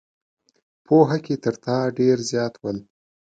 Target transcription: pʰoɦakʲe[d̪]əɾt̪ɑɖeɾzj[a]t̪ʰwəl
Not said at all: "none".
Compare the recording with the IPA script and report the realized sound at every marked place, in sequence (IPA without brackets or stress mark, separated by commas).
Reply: t̪, ɑ